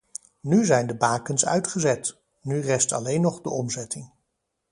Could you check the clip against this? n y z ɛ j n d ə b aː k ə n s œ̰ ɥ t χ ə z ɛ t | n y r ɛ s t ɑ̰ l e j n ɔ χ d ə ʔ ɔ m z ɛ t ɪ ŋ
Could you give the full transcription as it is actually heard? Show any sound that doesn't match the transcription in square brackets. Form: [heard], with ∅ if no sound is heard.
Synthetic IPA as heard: n y z ɛ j n d ə b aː k ə n s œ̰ ɥ t χ ə z ɛ t | n y r ɛ s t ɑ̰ l e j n ɔ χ d ə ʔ ɔ m z ɛ t ɪ ŋ